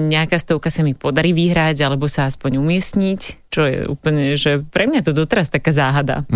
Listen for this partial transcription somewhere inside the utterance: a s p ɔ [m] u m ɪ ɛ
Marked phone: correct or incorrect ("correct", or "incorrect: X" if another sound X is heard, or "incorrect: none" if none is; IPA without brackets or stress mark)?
incorrect: ɲ